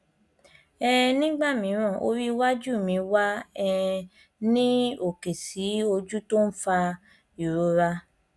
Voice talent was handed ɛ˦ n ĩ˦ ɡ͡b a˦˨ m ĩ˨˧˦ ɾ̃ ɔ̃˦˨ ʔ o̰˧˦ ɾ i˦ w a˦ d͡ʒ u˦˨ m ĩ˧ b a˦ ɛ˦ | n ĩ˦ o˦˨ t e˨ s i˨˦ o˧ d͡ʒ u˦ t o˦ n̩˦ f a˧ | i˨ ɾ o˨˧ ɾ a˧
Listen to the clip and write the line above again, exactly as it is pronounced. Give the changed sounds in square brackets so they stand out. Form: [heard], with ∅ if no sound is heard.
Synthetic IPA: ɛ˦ n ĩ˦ ɡ͡b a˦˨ m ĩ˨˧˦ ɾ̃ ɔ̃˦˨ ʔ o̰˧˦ ɾ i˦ w a˦ d͡ʒ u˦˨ m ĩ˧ [w] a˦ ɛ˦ | n ĩ˦ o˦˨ [k] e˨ s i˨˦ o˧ d͡ʒ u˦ t o˦ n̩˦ f a˧ | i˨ ɾ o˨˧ ɾ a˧